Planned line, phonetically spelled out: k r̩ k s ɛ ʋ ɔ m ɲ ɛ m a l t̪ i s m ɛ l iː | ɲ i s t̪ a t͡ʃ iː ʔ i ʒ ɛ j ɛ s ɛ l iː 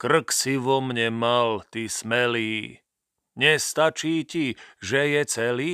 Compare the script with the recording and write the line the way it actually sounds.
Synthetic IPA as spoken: k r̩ k s i ʋ ɔ m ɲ ɛ m a l t̪ i s m ɛ l iː | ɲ ɛ s t̪ a t͡ʃ iː c i ʒ ɛ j ɛ t͡s ɛ l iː